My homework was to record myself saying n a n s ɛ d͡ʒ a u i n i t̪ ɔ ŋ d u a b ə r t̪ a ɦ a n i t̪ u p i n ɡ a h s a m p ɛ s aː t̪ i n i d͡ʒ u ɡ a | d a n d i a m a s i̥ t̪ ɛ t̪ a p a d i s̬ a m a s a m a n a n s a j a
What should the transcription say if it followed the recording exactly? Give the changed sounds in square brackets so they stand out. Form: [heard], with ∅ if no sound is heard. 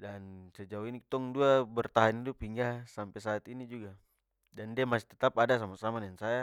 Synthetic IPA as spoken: [d] a n s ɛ d͡ʒ a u i n i t̪ ɔ ŋ d u a b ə r t̪ a ɦ a n i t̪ u p i [ŋ] ɡ a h s a m p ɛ s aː t̪ i n i d͡ʒ u ɡ a | d a n d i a m a s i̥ t̪ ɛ t̪ a p a d [a] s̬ a m a s a m a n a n s a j a